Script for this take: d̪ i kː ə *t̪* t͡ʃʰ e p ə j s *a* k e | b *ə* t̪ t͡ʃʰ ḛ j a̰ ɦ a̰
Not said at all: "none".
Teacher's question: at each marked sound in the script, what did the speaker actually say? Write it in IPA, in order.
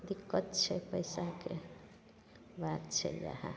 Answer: t̪, a, a

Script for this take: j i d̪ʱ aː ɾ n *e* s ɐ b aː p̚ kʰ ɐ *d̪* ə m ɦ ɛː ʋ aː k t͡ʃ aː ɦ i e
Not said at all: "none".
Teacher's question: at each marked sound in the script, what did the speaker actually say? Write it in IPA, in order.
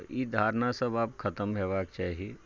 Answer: a, t̪

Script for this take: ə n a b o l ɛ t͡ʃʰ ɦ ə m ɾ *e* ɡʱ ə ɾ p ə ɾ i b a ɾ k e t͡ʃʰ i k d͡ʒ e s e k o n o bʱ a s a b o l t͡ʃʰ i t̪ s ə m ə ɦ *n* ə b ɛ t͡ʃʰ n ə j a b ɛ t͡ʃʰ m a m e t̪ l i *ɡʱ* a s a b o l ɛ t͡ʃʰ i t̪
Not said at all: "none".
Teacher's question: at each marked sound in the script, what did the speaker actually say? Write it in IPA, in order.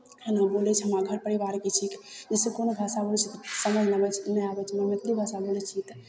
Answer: a, n, bʱ

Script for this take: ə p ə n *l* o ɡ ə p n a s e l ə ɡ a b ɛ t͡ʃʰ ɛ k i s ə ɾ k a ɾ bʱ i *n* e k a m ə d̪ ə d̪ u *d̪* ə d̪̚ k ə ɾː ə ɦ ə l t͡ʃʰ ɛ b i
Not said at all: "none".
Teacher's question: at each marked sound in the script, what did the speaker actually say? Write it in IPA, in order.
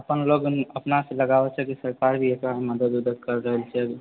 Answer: l, none, d̪

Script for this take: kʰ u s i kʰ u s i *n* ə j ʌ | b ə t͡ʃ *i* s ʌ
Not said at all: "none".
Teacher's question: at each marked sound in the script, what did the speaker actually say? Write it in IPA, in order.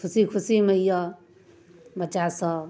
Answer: m, a

